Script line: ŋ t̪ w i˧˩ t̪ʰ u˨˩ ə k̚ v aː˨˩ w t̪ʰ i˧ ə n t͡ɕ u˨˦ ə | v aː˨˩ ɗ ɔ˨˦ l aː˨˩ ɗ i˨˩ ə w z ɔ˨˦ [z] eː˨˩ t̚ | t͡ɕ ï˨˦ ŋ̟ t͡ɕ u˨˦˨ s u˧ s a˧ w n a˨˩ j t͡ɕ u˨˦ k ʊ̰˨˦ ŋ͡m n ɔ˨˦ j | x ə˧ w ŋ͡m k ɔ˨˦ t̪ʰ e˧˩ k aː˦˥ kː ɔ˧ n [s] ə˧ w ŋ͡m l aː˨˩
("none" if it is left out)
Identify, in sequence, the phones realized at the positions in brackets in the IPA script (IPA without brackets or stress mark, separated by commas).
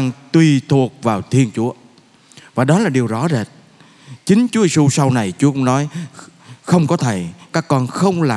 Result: z, x